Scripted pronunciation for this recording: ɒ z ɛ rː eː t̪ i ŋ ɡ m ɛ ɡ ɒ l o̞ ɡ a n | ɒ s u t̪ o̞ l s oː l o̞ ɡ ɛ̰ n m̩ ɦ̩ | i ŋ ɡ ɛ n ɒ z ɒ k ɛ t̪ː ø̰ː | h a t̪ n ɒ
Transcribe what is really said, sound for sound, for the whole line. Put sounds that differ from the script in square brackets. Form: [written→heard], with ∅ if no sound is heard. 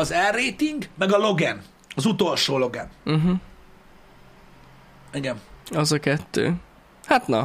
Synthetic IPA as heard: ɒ z ɛ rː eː t̪ i ŋ ɡ m ɛ ɡ ɒ l o̞ ɡ [a→ɛ] n | ɒ [s→z] u t̪ o̞ l [s→ʃ] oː l o̞ ɡ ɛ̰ n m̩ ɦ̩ | i [ŋ→∅] ɡ ɛ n ɒ z ɒ k ɛ t̪ː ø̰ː | h a t̪ n ɒ